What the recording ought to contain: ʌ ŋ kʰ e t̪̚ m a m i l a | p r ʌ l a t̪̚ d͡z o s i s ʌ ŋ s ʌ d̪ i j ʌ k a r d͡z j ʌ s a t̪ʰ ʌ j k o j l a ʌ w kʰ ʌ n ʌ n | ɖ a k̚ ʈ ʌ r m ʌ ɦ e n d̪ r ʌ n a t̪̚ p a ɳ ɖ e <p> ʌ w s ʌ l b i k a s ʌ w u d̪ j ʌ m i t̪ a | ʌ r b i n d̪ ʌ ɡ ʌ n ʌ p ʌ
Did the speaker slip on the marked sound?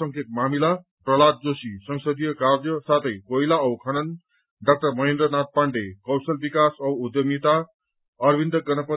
yes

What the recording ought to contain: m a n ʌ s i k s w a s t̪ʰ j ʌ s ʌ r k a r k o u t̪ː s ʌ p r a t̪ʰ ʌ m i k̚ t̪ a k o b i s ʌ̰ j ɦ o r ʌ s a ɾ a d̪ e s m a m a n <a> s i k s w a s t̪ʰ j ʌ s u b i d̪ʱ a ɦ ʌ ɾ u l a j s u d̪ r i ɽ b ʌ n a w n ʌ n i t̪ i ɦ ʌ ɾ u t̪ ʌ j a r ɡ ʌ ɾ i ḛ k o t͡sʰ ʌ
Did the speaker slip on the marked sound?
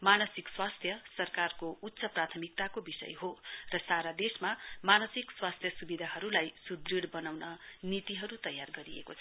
yes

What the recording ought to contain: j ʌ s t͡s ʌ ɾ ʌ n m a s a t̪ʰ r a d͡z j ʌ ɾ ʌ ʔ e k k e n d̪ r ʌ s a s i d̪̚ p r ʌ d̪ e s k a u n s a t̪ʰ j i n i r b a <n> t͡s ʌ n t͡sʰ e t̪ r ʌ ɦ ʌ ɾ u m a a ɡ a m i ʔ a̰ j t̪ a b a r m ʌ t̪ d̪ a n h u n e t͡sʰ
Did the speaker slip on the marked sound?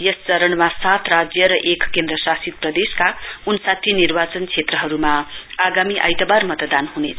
yes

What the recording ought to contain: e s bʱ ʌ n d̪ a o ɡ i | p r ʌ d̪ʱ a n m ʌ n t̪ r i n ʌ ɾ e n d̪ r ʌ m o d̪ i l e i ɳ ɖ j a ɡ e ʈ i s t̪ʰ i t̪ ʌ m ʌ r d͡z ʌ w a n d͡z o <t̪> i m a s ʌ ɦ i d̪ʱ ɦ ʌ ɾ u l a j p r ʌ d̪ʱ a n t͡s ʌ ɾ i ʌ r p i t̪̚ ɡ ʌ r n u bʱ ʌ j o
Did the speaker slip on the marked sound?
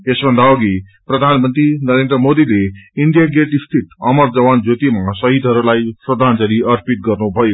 no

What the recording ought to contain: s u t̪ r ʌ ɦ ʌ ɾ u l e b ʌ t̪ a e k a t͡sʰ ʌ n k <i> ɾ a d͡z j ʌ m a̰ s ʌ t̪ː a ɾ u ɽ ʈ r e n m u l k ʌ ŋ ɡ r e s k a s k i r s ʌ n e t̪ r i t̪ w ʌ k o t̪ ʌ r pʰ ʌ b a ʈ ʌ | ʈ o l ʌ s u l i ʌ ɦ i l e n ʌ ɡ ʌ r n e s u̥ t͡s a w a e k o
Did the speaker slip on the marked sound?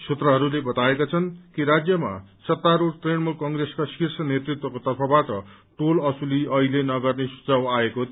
no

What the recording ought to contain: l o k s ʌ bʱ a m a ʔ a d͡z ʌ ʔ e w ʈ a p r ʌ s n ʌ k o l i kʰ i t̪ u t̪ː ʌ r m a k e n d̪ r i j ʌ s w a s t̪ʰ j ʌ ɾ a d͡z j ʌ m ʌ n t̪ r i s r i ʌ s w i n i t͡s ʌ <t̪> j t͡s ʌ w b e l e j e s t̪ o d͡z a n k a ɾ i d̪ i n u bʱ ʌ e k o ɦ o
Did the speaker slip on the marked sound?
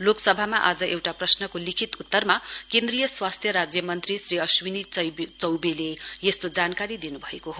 yes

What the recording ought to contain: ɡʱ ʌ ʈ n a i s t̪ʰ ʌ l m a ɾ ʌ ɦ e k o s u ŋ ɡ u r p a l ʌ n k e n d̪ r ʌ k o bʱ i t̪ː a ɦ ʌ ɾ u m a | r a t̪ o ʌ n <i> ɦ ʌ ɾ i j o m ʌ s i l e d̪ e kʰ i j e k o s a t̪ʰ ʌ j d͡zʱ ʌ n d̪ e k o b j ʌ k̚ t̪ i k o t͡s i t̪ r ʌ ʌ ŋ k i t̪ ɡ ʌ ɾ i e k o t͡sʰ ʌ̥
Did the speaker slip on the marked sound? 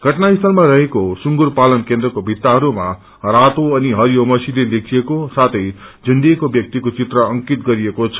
no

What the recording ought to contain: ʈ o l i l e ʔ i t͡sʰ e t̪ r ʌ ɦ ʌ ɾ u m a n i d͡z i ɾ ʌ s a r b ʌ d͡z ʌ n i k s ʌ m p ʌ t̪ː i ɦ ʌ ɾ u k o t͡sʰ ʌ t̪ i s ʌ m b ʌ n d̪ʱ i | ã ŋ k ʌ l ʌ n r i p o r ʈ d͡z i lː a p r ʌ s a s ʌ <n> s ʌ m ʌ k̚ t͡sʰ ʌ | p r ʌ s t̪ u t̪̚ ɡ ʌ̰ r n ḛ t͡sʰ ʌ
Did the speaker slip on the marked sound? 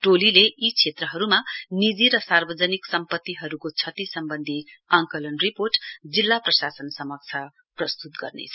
no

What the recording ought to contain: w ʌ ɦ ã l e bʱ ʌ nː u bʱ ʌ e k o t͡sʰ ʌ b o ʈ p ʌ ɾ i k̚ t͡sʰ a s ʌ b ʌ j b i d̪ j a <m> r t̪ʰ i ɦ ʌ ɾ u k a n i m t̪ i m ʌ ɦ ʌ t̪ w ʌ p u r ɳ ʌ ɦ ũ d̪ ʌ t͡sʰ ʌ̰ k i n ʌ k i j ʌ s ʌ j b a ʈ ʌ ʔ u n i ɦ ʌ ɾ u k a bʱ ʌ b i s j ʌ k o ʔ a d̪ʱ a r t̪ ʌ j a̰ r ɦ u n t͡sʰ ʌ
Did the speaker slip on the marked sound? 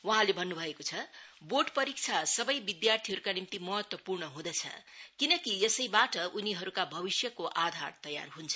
yes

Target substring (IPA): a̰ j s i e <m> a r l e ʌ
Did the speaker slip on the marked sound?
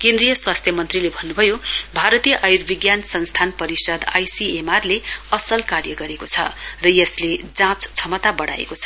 no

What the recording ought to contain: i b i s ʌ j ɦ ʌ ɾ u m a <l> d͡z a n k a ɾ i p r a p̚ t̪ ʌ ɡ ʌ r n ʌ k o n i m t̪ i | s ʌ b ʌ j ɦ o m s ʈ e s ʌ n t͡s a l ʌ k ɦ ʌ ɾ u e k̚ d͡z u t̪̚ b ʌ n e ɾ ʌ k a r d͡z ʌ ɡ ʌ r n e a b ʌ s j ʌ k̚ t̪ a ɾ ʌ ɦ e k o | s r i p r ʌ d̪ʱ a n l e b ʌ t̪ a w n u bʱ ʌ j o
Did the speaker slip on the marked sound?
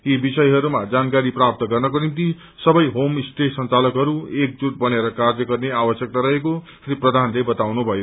yes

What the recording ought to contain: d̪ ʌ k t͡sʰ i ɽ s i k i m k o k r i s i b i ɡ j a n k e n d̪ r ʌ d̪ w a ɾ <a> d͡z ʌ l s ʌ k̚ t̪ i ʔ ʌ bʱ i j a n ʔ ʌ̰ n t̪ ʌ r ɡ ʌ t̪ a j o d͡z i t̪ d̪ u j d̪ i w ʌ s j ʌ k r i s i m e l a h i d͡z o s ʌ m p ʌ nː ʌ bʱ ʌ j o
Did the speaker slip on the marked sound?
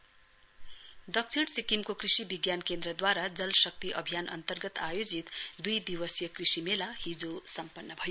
no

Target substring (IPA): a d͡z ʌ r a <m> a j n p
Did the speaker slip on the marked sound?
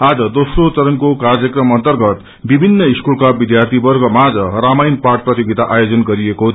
no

